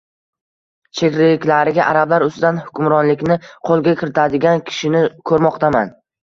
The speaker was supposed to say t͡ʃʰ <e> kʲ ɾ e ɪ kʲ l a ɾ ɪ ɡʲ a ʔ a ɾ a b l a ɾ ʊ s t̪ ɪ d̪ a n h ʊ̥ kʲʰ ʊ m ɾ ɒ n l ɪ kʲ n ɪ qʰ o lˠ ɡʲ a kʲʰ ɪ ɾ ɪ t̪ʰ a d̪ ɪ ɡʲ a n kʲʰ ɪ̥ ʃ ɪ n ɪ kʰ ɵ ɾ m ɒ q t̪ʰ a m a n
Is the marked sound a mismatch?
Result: no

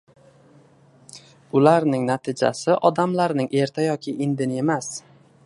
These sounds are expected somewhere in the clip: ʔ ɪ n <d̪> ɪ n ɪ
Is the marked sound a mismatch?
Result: no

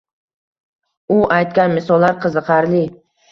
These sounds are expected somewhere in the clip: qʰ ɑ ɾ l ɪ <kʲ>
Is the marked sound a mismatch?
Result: yes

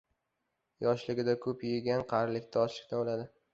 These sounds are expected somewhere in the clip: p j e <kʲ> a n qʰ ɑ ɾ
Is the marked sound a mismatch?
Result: yes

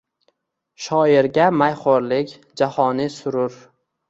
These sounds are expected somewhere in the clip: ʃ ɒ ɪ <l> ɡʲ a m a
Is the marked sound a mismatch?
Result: yes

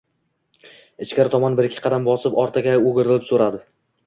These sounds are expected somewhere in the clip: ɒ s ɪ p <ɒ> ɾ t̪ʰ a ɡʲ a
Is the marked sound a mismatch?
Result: no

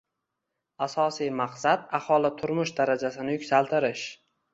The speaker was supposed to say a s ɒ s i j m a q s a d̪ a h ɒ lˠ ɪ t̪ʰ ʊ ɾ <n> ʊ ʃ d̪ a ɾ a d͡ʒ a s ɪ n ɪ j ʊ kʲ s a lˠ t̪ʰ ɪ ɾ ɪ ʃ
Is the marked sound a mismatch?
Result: yes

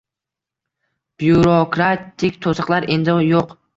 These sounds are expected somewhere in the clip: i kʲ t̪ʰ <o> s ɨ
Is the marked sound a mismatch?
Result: no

